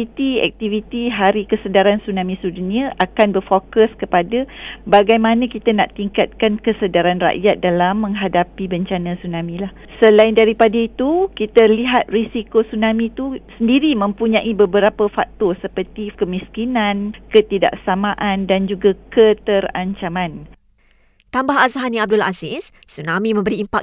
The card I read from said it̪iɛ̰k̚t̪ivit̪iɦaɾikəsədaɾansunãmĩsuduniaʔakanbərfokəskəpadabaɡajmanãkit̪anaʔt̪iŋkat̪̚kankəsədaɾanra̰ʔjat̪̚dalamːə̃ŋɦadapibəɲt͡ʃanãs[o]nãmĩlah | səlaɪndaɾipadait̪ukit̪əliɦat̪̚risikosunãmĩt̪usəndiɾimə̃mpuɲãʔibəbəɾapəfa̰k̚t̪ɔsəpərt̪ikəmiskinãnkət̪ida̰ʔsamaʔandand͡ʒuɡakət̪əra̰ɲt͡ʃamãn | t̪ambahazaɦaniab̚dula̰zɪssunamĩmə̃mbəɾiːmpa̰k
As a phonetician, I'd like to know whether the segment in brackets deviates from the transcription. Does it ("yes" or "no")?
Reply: yes